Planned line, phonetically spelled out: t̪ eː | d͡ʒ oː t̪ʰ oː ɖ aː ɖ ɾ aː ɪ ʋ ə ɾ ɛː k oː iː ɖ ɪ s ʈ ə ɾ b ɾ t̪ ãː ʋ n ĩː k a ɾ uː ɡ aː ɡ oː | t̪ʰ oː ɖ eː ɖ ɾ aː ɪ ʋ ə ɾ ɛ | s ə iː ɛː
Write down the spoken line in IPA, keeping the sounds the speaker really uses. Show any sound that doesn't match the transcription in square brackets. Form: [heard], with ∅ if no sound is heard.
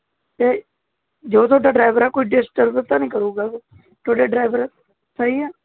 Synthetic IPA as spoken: t̪ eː | d͡ʒ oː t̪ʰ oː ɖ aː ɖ ɾ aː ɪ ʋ ə ɾ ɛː k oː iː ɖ ɪ s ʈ ə ɾ b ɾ t̪ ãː [∅] n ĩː k [ə] ɾ uː ɡ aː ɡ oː | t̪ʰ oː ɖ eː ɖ ɾ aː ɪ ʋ ə ɾ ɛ | s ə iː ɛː

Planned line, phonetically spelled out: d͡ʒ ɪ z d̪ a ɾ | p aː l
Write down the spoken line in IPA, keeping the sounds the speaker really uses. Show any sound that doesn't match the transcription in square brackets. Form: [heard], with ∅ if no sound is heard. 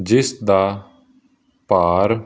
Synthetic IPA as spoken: d͡ʒ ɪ [s] d̪ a [∅] | p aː [ɾ]

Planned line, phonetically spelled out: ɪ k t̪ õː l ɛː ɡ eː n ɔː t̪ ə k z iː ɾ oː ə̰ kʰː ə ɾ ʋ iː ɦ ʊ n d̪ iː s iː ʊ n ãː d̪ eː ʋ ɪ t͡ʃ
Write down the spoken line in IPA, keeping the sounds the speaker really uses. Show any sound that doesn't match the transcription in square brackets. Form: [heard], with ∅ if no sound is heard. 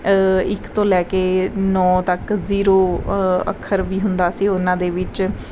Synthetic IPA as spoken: ɪ k t̪ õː l ɛː [k] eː n ɔː t̪ ə k z iː ɾ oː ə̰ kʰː ə ɾ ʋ iː ɦ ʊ n d̪ [aː] s iː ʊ n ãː d̪ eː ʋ ɪ t͡ʃ

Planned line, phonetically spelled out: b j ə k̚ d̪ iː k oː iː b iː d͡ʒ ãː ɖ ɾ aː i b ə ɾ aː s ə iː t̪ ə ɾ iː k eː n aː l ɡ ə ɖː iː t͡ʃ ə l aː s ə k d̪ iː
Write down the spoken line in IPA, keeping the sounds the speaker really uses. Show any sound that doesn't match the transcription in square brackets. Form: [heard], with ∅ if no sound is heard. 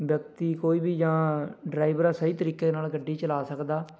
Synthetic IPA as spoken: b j ə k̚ [t̪] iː k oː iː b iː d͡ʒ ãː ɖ ɾ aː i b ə ɾ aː s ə iː t̪ ə ɾ iː k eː n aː l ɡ ə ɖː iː t͡ʃ ə l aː s ə k d̪ [aː]

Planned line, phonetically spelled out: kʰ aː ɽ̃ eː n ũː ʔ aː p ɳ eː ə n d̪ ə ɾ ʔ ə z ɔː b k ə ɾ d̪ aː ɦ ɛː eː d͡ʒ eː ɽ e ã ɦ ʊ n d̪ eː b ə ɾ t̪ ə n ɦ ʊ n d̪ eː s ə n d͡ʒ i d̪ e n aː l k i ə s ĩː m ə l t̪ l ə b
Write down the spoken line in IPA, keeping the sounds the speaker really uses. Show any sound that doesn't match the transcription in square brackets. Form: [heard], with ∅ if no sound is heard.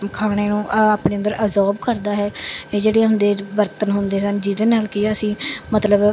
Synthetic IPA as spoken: kʰ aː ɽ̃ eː n ũː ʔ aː p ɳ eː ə n d̪ ə ɾ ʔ ə z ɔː b k ə ɾ d̪ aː ɦ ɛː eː d͡ʒ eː ɽ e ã ɦ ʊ n d̪ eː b ə ɾ t̪ ə n ɦ ʊ n d̪ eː s ə n d͡ʒ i d̪ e n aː l k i ə s ĩː m ə [∅] t̪ l ə b

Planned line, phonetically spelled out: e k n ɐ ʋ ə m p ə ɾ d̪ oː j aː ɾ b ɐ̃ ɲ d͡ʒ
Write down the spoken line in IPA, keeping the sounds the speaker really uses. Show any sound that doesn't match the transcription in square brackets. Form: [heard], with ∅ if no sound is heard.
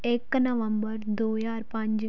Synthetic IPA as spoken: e k n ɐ ʋ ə m [b] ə ɾ d̪ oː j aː ɾ [p] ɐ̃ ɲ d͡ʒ

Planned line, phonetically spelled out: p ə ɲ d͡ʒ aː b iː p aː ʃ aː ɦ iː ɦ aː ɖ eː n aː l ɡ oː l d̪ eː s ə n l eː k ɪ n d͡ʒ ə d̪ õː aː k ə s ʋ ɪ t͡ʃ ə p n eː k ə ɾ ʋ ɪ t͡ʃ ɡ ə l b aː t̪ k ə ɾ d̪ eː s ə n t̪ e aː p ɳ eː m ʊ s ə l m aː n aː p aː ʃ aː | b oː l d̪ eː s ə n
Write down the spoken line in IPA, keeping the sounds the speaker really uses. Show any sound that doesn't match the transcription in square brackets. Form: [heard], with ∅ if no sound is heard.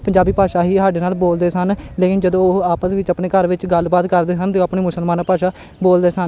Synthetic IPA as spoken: p ə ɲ d͡ʒ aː b iː p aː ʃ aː ɦ iː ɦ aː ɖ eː n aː l [b] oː l d̪ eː s ə n l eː k ɪ n d͡ʒ ə d̪ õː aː [p] ə s ʋ ɪ t͡ʃ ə p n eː k ə ɾ ʋ ɪ t͡ʃ ɡ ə l b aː t̪ k ə ɾ d̪ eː s ə n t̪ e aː p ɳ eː m ʊ s ə l m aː n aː p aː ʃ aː | b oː l d̪ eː s ə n

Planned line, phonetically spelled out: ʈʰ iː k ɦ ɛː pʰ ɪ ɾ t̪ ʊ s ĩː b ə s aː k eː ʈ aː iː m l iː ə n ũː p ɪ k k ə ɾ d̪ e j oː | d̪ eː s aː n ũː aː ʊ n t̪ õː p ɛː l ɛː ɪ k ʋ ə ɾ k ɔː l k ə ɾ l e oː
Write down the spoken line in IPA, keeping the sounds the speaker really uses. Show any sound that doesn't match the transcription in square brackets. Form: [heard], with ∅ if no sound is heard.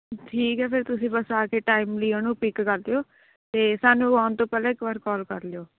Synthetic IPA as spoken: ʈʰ iː k ɦ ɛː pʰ ɪ ɾ t̪ ʊ s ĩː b ə s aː k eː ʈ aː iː m l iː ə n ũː p ɪ k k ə ɾ d̪ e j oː | [t̪] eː s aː n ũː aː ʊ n t̪ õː p ɛː l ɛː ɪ k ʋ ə ɾ k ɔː l k ə ɾ l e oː

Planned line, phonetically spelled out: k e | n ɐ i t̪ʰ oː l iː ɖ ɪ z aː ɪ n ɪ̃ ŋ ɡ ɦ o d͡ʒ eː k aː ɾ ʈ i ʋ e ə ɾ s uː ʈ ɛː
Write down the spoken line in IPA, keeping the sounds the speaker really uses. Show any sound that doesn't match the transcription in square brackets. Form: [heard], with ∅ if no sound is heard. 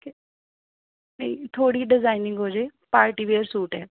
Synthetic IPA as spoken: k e | n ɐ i t̪ʰ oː [ɽ] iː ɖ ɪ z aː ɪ n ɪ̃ ŋ ɡ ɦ o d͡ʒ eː [p] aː ɾ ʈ i ʋ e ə ɾ s uː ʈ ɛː

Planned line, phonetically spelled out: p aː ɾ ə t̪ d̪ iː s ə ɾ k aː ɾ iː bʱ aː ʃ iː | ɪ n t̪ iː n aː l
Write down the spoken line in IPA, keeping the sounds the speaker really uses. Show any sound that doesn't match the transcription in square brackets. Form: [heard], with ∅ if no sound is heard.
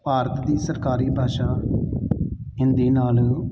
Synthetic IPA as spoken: p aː ɾ ə t̪ d̪ iː s ə ɾ k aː ɾ iː bʱ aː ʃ [aː] | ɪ n [d̪] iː n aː l

